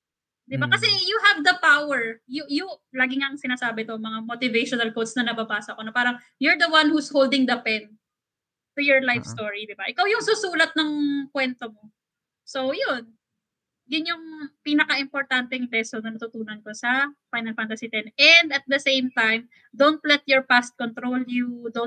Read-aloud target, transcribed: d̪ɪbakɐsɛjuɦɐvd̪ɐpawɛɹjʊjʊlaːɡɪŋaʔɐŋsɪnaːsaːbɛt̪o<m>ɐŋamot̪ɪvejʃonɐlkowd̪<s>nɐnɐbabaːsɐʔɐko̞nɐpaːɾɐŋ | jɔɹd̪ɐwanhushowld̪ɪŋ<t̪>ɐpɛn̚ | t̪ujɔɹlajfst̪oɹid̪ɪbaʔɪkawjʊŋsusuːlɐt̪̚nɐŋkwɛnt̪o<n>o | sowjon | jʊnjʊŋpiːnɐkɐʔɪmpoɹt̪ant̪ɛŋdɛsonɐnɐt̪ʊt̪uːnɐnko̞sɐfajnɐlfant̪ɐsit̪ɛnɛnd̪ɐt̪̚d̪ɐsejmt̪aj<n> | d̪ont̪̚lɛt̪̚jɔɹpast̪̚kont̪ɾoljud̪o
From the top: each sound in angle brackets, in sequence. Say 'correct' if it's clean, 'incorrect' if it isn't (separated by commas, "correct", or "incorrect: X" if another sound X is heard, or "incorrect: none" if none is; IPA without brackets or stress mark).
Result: correct, correct, incorrect: d̪, incorrect: m, incorrect: m